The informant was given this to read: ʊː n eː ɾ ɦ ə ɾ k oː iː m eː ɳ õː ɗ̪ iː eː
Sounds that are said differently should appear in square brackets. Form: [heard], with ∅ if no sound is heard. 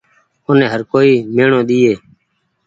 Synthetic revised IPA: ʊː n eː [∅] ɦ ə ɾ k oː iː m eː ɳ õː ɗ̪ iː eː